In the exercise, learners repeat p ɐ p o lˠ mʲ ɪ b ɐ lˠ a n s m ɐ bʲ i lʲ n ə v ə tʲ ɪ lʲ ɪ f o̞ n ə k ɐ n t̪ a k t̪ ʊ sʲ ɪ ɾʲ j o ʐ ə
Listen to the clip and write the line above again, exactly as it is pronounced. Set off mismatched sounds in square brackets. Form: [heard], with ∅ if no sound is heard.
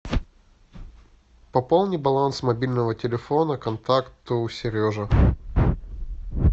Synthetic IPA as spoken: p ɐ p o lˠ [nʲ] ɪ b ɐ lˠ a n s m ɐ bʲ i lʲ n ə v ə tʲ ɪ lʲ ɪ f o̞ n ə k ɐ n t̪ a k t̪ ʊ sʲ ɪ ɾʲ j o ʐ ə